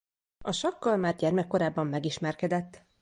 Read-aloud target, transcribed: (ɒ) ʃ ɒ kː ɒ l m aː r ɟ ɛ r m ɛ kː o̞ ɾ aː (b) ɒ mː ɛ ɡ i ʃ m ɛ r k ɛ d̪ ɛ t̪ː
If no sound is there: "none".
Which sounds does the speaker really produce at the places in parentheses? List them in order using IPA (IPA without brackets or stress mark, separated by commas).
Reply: ɒ, bː